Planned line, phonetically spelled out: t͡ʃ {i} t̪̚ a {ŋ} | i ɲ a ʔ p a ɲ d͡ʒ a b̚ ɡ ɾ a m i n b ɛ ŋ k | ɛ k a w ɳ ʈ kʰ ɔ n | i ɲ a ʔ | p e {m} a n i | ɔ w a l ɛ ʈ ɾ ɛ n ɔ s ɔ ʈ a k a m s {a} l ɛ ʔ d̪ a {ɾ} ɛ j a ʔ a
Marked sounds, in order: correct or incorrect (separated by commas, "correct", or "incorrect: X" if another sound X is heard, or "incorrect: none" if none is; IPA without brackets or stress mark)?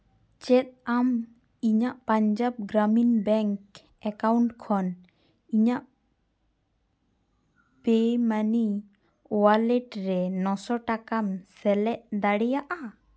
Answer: incorrect: ɛ, incorrect: m, correct, incorrect: ɛ, incorrect: ɽ